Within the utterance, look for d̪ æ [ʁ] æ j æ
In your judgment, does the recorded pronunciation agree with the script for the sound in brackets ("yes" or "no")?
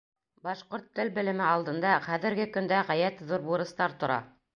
yes